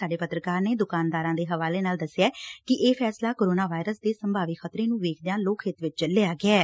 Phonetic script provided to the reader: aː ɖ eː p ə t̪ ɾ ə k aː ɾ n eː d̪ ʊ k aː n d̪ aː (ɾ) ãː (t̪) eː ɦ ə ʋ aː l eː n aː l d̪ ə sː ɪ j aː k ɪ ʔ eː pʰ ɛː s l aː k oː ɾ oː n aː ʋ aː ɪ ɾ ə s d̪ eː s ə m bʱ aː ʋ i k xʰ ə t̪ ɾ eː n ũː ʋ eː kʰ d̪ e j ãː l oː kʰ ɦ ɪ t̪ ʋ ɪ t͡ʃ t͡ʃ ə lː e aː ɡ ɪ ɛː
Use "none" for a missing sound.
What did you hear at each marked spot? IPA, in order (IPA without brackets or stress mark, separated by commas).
ɾ, d̪